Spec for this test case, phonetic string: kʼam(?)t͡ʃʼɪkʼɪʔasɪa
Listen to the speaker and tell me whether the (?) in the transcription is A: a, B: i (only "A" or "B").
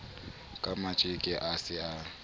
A